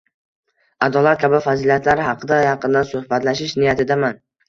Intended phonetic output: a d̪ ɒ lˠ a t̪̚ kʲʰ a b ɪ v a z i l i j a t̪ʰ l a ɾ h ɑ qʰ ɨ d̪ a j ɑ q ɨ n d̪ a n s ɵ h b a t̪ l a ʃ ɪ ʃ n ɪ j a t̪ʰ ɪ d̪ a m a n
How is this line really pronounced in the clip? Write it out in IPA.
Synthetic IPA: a d̪ ɒ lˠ a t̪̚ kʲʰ a b ɪ f a z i l i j a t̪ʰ l a ɾ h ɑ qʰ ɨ d̪ a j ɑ q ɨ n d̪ a n s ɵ h b a t̪ l a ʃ ɪ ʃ n ɪ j a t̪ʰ ɪ d̪ a m a n